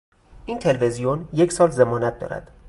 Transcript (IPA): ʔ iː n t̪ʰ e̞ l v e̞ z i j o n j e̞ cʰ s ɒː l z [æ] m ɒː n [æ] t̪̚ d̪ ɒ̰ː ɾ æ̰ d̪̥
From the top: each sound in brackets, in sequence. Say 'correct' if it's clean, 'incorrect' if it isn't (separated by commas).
incorrect, correct